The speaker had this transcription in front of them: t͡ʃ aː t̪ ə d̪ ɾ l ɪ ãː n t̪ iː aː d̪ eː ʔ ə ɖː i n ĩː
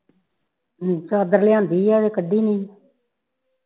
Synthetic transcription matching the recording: t͡ʃ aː d̪ ə ɾ l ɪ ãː n d̪ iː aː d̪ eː k ə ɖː iː n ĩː